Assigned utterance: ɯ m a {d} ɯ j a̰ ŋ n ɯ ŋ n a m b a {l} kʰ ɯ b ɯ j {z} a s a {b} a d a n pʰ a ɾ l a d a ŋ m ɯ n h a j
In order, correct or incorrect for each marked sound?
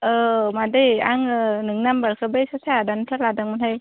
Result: correct, incorrect: ɾ, incorrect: s, incorrect: none

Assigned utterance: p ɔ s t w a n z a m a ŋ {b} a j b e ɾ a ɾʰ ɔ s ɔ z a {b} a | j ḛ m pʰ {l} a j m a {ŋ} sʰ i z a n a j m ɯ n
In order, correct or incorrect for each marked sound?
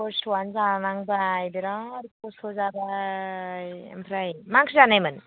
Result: correct, correct, incorrect: ɾ, correct

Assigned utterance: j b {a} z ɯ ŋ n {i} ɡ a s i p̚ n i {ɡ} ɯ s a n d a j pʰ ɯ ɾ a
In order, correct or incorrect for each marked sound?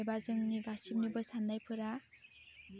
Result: correct, correct, incorrect: b

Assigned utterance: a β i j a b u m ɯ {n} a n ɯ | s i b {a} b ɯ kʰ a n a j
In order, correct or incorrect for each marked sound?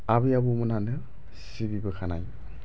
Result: correct, incorrect: i

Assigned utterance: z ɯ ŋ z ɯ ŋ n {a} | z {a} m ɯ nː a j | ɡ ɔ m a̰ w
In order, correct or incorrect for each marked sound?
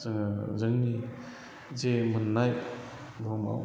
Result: incorrect: i, incorrect: e

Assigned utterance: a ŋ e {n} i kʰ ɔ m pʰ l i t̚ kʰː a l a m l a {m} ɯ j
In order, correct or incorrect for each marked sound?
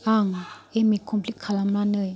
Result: incorrect: m, incorrect: n

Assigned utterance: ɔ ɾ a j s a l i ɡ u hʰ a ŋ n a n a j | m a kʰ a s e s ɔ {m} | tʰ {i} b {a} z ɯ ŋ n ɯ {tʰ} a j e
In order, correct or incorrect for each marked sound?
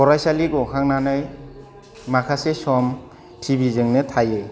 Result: correct, correct, incorrect: i, correct

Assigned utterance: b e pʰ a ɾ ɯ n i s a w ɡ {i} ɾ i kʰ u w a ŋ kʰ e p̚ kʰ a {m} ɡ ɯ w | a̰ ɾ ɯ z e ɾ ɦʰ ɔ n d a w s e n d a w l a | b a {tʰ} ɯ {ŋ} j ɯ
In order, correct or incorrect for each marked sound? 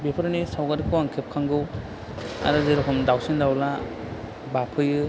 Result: incorrect: a, incorrect: ŋ, incorrect: pʰ, incorrect: none

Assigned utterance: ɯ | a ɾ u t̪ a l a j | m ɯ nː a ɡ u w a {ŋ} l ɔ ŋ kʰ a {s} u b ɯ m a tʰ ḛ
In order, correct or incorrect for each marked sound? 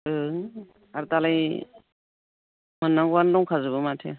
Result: incorrect: n, incorrect: z

